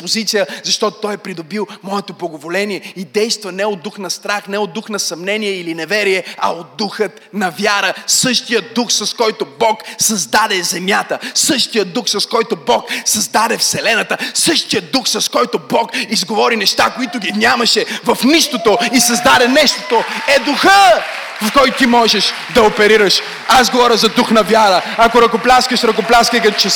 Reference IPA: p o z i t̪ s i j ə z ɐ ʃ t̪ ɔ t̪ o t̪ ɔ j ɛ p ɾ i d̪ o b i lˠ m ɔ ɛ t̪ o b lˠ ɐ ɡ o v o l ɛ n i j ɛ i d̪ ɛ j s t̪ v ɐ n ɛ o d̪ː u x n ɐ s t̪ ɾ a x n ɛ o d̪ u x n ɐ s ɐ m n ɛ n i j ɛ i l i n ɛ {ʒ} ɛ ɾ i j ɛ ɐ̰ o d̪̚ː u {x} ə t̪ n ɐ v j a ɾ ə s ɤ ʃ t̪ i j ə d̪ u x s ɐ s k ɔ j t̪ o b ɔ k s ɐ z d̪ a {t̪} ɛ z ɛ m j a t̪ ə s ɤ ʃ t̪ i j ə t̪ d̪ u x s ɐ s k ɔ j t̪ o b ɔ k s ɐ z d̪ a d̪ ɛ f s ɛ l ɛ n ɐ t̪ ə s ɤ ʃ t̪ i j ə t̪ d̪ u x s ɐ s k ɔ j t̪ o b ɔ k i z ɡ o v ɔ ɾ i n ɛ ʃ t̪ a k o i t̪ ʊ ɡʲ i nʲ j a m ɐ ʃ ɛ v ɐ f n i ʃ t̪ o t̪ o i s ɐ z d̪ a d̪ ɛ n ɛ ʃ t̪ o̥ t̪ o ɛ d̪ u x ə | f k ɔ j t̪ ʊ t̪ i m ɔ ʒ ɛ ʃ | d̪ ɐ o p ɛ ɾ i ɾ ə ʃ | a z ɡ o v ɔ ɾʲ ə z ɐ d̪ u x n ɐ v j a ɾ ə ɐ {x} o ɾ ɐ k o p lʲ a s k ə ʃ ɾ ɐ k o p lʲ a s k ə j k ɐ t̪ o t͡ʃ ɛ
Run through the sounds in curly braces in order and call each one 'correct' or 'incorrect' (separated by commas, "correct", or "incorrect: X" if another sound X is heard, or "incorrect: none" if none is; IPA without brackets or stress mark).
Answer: incorrect: v, correct, incorrect: d̪, incorrect: k